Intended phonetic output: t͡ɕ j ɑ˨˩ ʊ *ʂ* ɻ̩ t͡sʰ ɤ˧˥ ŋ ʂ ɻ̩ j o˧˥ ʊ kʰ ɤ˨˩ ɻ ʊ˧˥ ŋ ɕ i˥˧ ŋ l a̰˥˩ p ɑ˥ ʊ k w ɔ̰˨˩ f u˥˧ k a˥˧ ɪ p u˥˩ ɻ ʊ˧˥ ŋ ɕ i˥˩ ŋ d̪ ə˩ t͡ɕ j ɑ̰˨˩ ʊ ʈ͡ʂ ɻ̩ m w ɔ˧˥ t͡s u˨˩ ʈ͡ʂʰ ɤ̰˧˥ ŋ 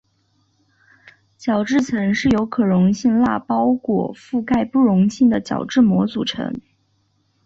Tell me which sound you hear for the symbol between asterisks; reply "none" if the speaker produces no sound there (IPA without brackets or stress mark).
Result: ʈ͡ʂ